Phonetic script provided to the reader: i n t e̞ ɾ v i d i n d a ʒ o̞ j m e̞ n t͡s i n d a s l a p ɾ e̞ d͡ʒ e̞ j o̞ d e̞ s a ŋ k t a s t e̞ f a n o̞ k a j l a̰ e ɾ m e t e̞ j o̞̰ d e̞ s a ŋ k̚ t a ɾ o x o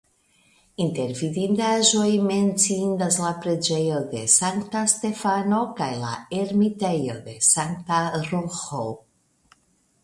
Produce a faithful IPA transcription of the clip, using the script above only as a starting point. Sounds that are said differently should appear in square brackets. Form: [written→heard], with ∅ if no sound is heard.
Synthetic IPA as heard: i n t e̞ ɾ v i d i n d a ʒ o̞ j m e̞ n t͡s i n d a s l a p ɾ e̞ d͡ʒ e̞ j o̞ d e̞ s a ŋ k t a s t e̞ f a n o̞ k a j l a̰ e ɾ m [e→i] t e̞ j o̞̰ d e̞ s a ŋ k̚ t a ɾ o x o